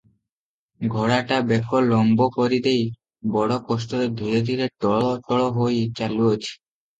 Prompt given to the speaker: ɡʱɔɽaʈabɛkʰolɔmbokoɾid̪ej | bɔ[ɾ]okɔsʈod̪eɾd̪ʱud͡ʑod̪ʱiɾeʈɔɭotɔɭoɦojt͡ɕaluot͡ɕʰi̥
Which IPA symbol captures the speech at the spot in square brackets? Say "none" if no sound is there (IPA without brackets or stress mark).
ɽ